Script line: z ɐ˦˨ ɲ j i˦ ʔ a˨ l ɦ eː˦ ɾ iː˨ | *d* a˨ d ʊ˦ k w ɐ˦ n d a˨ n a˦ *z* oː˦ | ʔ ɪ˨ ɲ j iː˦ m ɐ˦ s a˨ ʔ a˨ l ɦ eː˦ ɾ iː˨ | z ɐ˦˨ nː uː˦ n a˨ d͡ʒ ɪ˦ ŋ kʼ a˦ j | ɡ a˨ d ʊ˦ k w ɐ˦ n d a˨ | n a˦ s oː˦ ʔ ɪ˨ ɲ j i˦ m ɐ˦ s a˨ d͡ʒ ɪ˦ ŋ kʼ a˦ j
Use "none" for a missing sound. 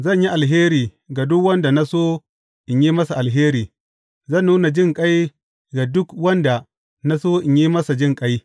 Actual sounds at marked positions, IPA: ɡ, s

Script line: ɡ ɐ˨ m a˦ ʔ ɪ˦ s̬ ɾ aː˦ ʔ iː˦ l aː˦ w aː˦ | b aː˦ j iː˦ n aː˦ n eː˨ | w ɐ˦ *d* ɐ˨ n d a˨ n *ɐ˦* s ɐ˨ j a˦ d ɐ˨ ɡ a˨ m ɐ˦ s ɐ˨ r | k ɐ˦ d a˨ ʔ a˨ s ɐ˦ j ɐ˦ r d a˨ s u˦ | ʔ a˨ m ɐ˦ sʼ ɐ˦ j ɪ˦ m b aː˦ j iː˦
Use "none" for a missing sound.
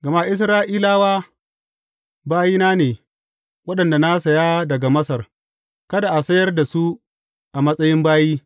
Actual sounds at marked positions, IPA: ɗ, a˦

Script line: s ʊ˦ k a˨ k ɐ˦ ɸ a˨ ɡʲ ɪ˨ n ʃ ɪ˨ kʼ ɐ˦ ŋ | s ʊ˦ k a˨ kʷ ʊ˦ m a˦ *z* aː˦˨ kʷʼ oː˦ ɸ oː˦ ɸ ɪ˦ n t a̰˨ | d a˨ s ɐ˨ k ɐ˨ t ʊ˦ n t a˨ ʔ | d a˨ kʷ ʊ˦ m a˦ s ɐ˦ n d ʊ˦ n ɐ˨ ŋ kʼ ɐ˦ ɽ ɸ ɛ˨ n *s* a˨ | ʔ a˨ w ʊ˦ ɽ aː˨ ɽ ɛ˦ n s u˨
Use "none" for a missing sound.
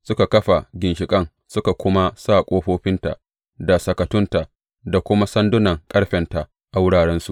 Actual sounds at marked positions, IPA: s, t

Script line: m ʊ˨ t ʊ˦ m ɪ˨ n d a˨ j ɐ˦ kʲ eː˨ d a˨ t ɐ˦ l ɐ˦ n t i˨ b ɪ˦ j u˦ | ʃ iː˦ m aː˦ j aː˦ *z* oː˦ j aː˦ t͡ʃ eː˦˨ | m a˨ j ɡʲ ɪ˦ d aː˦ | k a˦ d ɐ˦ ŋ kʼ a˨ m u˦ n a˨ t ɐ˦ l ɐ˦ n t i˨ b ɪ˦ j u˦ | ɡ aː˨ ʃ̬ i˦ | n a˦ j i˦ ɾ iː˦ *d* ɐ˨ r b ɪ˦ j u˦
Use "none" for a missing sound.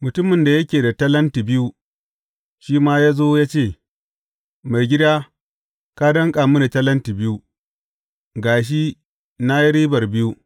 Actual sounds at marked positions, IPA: z, b

